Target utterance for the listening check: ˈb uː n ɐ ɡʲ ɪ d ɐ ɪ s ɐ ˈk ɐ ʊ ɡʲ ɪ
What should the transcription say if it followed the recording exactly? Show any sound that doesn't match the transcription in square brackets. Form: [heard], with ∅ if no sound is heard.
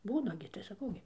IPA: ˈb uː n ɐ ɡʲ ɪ [t] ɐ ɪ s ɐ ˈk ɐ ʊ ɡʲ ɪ